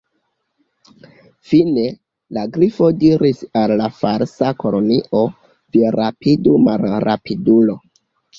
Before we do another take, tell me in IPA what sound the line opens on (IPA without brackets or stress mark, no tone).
f